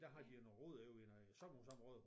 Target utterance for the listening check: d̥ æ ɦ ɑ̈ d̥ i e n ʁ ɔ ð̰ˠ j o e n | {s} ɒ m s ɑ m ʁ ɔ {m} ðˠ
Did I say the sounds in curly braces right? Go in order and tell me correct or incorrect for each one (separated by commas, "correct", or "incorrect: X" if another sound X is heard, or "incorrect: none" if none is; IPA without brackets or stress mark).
correct, incorrect: none